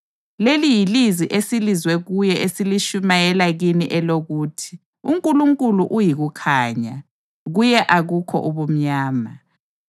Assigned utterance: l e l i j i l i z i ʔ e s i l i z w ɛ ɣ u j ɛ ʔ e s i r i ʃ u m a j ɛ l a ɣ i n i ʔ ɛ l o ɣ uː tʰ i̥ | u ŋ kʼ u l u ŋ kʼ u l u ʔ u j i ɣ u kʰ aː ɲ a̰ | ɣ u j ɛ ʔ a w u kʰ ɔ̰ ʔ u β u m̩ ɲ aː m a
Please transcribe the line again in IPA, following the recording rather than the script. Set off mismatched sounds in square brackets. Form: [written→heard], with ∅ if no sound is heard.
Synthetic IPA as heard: l e l i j i l i z i ʔ e s i l i z w ɛ ɣ u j ɛ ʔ e s i [r→l] i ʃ u m a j ɛ l a ɣ i n i ʔ ɛ l o ɣ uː tʰ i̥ | u ŋ kʼ u l u ŋ kʼ u l u ʔ u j i ɣ u kʰ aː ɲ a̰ | ɣ u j ɛ ʔ a [w→ɣ] u kʰ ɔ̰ ʔ u β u m̩ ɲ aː m a